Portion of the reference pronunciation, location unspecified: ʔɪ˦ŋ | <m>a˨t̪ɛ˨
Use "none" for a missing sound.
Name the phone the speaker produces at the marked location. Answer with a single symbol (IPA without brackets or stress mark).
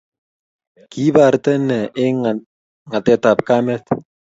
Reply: ŋ